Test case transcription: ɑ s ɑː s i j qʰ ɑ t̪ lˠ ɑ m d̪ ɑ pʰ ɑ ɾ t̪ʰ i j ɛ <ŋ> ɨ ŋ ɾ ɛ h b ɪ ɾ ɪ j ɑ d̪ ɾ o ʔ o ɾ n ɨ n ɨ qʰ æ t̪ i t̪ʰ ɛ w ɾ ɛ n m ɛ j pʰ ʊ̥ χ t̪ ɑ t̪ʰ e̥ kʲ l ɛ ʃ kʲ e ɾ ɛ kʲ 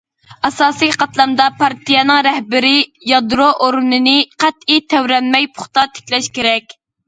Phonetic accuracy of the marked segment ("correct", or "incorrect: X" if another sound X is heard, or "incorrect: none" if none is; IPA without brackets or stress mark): incorrect: n